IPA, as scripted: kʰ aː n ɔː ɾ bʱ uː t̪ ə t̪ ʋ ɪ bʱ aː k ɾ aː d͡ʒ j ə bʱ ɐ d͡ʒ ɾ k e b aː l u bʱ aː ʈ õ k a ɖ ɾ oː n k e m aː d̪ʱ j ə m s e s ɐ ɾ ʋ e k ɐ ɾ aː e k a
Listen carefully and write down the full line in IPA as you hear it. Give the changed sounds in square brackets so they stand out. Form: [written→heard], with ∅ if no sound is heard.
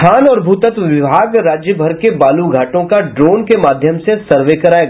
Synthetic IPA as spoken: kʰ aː n ɔː ɾ bʱ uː t̪ ə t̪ ʋ ɪ bʱ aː [k→ɡ] ɾ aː d͡ʒ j ə bʱ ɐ [d͡ʒ→∅] ɾ k e b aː l u [bʱ→ɡʱ] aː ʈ õ k a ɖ ɾ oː n k e m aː d̪ʱ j ə m s e s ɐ ɾ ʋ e k ɐ ɾ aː e [k→ɡ] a